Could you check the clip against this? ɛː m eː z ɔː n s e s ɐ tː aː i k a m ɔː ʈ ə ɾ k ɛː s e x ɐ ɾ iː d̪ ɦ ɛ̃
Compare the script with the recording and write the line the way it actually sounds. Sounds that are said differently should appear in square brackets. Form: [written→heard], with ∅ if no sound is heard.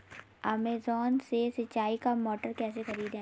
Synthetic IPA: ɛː m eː z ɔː n s e s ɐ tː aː i k a m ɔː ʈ ə ɾ k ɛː s e x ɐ ɾ iː d̪ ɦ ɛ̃